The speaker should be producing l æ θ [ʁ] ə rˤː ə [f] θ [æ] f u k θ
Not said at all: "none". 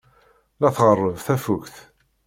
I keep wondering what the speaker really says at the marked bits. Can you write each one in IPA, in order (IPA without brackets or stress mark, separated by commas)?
ʁ, v, æ